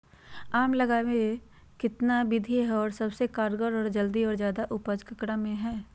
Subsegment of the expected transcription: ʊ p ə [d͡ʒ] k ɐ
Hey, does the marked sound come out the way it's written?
yes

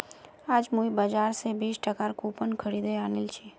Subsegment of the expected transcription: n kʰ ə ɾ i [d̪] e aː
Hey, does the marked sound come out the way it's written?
yes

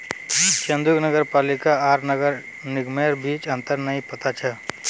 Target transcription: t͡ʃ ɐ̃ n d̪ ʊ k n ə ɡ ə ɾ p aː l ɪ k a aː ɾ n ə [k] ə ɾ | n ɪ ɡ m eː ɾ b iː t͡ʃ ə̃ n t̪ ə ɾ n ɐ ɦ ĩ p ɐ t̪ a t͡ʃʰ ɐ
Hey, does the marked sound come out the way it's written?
no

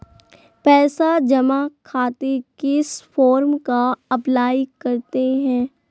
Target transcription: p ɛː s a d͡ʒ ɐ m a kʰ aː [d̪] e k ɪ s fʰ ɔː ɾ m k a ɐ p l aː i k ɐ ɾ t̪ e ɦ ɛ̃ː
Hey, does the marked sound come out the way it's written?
no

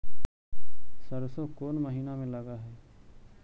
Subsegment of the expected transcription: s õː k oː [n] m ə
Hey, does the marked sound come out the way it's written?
yes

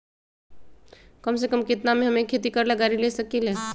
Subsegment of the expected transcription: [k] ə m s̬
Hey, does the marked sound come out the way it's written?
yes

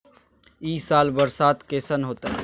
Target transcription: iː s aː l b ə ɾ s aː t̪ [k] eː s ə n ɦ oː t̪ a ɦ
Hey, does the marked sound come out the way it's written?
yes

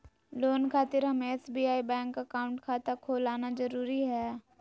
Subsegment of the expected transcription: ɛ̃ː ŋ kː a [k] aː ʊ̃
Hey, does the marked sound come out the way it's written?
yes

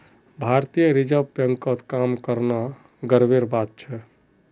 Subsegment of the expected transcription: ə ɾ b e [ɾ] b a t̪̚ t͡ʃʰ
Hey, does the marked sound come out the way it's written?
yes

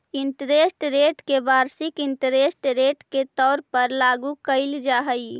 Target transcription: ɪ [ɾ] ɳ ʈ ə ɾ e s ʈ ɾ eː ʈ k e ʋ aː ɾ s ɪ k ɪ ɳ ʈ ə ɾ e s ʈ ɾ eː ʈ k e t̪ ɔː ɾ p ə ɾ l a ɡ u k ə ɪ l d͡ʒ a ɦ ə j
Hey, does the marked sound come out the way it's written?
no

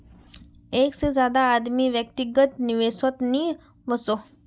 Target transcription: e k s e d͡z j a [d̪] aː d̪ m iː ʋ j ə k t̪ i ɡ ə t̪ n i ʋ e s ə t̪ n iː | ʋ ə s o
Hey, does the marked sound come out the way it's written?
yes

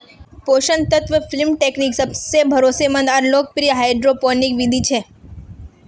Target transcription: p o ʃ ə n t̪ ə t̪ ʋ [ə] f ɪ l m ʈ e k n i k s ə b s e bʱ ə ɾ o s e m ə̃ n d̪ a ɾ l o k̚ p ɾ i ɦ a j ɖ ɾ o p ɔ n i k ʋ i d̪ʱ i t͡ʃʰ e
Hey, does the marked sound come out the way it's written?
yes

